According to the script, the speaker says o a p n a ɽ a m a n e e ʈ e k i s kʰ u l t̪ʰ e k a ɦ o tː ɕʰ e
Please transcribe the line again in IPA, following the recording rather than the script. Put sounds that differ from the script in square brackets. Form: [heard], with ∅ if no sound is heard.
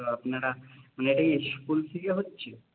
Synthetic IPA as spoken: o a p n a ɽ a m a n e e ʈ [a] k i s [k] u l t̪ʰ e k [e] ɦ o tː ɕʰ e